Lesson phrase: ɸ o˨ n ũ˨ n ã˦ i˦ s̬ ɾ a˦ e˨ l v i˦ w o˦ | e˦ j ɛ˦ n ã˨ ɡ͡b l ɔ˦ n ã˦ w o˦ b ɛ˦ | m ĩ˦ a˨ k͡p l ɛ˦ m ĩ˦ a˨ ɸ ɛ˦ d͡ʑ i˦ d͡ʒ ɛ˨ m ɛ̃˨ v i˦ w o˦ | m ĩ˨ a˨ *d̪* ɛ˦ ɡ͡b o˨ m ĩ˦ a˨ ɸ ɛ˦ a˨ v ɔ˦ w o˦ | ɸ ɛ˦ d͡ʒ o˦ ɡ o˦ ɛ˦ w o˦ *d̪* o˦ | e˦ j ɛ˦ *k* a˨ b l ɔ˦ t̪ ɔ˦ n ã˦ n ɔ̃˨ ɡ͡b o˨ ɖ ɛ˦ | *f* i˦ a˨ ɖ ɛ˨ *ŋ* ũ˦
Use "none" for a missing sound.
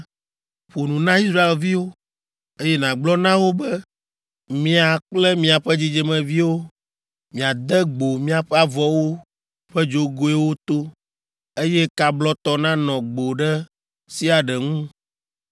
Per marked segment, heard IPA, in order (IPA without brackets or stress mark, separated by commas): d̪, t̪, k, s, ŋ